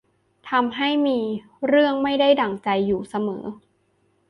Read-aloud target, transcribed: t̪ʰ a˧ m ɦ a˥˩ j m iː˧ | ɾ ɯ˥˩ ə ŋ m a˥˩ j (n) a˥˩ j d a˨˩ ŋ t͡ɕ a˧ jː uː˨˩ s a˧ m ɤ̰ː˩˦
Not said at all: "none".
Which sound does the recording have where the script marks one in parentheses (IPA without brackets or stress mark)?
d